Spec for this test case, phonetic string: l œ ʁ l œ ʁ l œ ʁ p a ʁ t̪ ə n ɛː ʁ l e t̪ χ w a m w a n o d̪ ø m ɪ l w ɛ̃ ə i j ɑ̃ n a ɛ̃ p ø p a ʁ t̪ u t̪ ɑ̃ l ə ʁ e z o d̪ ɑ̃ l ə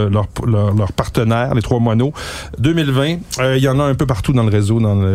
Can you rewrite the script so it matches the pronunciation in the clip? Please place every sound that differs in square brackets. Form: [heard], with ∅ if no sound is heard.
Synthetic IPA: l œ ʁ l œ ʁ l œ ʁ p a ʁ t̪ ə n ɛː ʁ l e t̪ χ w a m w a n o d̪ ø m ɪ l [v] ɛ̃ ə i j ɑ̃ n a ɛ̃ p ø p a ʁ t̪ u [d̪] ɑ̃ l ə ʁ e z o d̪ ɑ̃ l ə